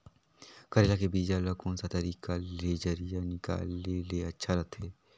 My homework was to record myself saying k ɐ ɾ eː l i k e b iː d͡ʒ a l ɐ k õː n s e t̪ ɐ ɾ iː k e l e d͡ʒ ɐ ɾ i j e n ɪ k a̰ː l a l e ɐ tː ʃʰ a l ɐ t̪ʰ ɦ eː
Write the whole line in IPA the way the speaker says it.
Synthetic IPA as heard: k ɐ ɾ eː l a k e b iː d͡ʒ a l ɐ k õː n s a t̪ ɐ ɾ iː k a l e d͡ʒ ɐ ɾ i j a n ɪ k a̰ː l e l e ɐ tː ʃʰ a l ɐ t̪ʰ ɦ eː